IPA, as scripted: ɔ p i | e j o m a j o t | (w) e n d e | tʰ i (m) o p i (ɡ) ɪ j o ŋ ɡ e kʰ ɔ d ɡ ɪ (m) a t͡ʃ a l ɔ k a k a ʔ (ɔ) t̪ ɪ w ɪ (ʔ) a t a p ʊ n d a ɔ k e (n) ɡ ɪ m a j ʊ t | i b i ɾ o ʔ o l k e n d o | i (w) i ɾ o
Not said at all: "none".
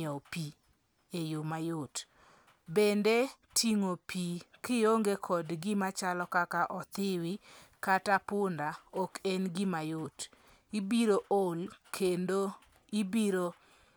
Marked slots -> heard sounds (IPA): b, ŋ, k, m, ɔ, k, n, b

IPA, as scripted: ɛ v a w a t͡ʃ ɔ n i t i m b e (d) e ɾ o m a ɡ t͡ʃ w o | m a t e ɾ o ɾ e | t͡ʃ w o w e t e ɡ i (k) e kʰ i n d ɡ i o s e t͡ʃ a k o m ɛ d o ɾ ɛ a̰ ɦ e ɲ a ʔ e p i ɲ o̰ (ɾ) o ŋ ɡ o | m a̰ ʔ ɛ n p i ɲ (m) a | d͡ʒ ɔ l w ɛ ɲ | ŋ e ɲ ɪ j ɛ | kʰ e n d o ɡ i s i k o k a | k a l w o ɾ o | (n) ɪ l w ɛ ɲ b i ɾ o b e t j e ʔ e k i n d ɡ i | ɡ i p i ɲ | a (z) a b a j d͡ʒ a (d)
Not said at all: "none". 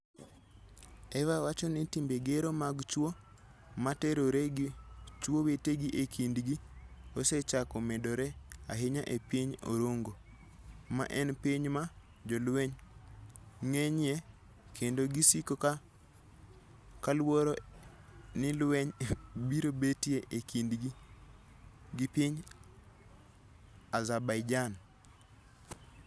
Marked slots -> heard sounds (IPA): ɡ, ʔ, ɾ, m, n, z, n

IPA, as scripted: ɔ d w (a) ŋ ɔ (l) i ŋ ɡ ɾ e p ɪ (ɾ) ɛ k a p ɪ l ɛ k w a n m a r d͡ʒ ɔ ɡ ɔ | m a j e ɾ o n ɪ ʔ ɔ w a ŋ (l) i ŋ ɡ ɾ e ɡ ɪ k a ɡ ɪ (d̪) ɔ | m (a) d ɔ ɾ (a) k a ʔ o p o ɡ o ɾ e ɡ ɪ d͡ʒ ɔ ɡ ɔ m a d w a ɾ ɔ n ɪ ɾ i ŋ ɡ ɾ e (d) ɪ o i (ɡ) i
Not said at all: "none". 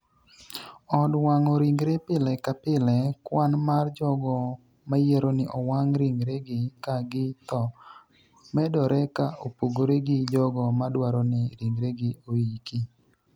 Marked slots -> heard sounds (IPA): a, ɾ, l, ɾ, t̪, ɛ, ɛ, ɡ, k

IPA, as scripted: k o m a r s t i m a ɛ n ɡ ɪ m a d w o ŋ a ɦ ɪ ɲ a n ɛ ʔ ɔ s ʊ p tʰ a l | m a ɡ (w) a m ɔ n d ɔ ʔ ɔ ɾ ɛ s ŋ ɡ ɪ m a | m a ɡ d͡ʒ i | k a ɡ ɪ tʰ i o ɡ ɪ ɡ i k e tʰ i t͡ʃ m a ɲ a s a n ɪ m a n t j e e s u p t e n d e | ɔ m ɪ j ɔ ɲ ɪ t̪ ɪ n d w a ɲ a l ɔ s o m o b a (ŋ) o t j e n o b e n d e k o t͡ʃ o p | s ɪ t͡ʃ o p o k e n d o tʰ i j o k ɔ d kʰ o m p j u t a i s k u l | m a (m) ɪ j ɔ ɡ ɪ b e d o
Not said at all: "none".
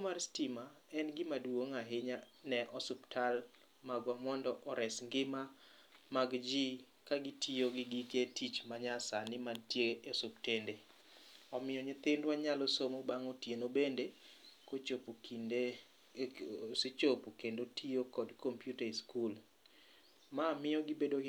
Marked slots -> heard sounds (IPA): w, ŋ, m

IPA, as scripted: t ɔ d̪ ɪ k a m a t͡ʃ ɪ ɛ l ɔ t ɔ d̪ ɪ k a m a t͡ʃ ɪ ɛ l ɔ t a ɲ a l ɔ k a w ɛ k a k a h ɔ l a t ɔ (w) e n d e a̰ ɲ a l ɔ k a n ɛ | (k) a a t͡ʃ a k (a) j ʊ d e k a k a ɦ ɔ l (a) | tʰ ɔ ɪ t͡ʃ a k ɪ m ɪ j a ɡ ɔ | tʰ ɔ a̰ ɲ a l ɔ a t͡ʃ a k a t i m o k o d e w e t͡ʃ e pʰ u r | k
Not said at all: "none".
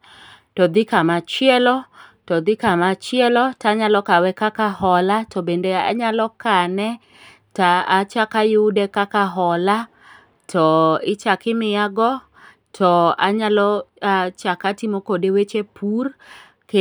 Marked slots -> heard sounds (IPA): b, t, a, a

